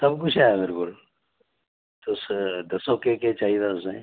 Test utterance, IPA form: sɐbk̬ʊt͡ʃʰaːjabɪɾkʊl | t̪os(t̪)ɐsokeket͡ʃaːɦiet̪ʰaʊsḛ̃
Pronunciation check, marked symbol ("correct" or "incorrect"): incorrect